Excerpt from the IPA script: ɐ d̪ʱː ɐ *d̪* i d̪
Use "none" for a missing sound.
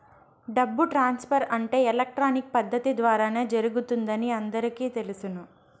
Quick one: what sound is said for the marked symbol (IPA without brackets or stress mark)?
t̪